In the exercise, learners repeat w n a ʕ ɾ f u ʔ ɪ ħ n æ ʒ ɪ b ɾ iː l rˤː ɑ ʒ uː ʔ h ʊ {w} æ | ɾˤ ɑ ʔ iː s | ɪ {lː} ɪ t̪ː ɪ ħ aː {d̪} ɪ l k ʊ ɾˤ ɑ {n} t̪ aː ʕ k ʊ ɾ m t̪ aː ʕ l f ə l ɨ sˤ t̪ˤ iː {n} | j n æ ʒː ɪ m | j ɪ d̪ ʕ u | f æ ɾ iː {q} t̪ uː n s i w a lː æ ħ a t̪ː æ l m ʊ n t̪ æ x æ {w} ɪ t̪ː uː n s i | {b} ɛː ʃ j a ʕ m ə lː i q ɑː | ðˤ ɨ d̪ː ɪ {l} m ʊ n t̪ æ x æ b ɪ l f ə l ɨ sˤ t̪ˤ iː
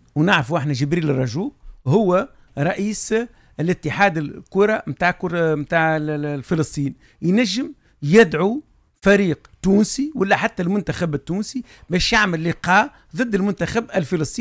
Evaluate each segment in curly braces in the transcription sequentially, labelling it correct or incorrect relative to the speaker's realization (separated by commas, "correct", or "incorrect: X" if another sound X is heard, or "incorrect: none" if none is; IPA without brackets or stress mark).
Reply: incorrect: wː, incorrect: l, correct, incorrect: m, correct, correct, incorrect: b, correct, correct